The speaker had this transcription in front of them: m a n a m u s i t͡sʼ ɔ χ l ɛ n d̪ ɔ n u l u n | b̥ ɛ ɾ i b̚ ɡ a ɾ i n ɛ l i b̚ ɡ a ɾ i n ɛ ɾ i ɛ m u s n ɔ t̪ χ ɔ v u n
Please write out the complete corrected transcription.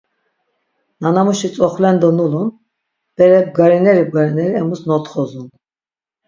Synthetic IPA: n a n a m u ʃ i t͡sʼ ɔ χ l ɛ n d̪ ɔ n u l u n | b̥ ɛ ɾ ɛ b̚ ɡ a ɾ i n ɛ ɾ i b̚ ɡ a ɾ i n ɛ ɾ i ɛ m u s n ɔ t̪ χ ɔ z u n